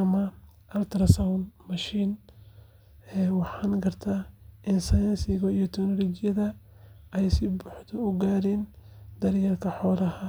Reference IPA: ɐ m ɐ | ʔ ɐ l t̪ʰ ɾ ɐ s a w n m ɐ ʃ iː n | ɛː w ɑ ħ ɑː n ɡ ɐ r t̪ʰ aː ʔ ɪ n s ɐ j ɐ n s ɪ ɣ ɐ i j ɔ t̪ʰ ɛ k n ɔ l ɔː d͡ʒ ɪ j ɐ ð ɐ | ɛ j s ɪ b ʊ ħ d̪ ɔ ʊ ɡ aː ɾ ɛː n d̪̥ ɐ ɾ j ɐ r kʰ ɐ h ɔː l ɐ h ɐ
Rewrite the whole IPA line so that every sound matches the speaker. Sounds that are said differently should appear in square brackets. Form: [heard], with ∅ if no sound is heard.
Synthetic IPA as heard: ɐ m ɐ | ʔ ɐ l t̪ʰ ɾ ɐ s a w n m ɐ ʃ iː n | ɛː w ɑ ħ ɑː n ɡ ɐ r t̪ʰ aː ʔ ɪ n s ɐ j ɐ n s ɪ ɣ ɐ i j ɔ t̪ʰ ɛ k n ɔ l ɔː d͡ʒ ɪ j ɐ ð ɐ | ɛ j s ɪ b ʊ ħ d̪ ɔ ʊ ɡ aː ɾ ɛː n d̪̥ ɐ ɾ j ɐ r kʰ ɐ [ħ] ɔː l ɐ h ɐ

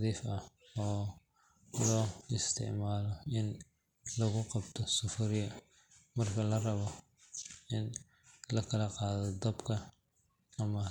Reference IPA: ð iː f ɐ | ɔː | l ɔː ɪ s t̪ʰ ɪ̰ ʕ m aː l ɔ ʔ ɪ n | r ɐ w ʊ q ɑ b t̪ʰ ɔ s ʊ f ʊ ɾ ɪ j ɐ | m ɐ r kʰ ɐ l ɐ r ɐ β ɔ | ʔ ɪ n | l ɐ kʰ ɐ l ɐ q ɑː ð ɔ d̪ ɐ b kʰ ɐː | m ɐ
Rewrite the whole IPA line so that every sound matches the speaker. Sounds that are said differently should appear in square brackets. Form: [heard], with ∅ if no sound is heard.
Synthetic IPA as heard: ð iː f ɐ | ɔː | l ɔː ɪ s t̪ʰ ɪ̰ ʕ m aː l ɔ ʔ ɪ n | [l] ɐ [ɣ] ʊ q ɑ b t̪ʰ ɔ s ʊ f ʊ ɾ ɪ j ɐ | m ɐ r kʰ ɐ l ɐ r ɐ β ɔ | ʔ ɪ n | l ɐ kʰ ɐ l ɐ q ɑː ð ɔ d̪ ɐ b kʰ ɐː | m ɐ

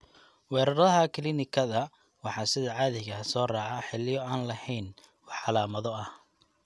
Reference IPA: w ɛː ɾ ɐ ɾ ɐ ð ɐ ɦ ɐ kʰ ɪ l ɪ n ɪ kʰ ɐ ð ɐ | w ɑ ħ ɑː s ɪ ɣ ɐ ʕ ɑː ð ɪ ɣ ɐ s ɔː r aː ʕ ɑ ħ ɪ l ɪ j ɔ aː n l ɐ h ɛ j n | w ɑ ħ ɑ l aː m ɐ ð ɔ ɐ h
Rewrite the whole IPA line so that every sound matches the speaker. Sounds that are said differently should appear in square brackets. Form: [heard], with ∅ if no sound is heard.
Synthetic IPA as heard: w ɛː ɾ ɐ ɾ ɐ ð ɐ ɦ ɐ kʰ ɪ l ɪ n ɪ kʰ ɐ ð ɐ | w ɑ ħ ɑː s ɪ [ð] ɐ ʕ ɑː ð ɪ ɣ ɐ s ɔː r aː ʕ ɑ ħ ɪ l ɪ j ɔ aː n l ɐ h ɛ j n | w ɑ ħ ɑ l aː m ɐ ð ɔ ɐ h

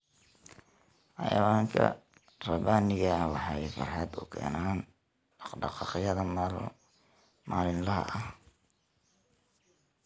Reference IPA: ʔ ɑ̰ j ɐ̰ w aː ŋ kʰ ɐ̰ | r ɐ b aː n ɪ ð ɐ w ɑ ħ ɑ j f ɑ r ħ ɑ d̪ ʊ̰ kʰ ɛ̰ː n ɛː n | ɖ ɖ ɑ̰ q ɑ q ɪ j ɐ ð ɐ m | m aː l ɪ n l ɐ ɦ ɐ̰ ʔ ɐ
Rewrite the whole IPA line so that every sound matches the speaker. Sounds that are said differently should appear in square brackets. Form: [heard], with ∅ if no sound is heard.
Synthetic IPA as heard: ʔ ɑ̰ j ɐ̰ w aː ŋ kʰ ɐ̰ | r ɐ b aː n ɪ [ɣ] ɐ w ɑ ħ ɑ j f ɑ r ħ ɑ d̪ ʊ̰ kʰ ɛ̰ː n [aː] n | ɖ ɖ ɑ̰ q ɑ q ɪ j ɐ ð ɐ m | m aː l ɪ n l ɐ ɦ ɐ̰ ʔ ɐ

